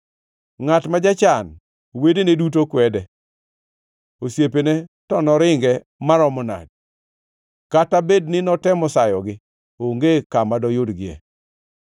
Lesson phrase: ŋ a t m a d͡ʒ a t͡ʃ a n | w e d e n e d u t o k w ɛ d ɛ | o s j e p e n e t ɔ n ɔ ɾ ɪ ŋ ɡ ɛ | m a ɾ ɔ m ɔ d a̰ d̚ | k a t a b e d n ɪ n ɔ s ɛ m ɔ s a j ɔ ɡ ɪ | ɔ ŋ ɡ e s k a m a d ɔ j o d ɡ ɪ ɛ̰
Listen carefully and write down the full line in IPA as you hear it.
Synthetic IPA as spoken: ŋ a t m a d͡ʒ a t͡ʃ a n | w e d e n e d u t o k w ɛ d ɛ | o s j e p e n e t ɔ n ɔ ɾ ɪ ŋ ɡ ɛ | m a ɾ ɔ m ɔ n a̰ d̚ | k a t a b e d n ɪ n ɔ t ɛ m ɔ s a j ɔ ɡ ɪ | o ŋ ɡ e k a m a d ɔ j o d ɡ ɪ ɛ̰